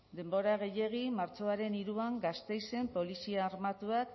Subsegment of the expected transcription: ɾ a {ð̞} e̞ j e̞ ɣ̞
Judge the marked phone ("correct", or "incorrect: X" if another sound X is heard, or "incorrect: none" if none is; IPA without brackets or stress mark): incorrect: ɣ̞